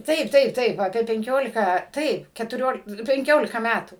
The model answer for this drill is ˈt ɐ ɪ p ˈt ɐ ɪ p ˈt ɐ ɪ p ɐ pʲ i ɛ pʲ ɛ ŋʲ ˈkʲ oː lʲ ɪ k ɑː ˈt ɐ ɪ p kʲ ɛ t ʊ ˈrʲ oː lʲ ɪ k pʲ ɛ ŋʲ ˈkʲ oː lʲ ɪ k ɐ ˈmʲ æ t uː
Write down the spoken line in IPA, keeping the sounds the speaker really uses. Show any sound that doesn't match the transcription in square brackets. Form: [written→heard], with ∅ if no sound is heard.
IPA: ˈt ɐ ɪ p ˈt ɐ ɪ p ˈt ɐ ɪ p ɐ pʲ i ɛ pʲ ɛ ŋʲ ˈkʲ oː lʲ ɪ k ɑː ˈt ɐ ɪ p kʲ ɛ t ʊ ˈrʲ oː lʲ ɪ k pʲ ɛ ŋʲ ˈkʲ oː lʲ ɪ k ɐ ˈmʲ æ t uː